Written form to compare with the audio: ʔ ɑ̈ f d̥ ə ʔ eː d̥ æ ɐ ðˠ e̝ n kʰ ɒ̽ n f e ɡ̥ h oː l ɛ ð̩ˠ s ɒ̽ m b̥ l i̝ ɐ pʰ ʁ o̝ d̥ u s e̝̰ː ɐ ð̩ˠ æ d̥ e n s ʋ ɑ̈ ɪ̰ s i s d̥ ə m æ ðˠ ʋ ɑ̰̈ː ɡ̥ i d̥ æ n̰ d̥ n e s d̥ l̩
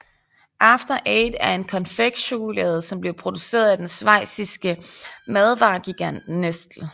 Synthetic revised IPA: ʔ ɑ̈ f d̥ ɐ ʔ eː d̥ æ ɐ e̝ n kʰ ɒ̽ n f e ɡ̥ ɕ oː l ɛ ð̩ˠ s ɒ̽ m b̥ l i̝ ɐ pʰ ʁ o̝ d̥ u s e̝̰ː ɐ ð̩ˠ æ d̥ e n s ʋ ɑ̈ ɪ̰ s i s ɡ̥ ə m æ ðˠ ʋ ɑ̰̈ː ɡ̥ i ɡ̥ æ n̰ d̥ n e s d̥ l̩